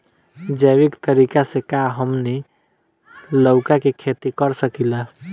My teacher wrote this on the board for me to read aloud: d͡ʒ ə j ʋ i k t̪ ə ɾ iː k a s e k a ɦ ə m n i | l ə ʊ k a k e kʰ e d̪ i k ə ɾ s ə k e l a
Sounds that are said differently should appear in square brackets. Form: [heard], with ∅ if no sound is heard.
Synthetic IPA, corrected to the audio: d͡ʒ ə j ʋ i k t̪ ə ɾ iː k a s e k a ɦ ə m n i | l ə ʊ k a k e kʰ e [t̪] i k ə ɾ s ə k [i] l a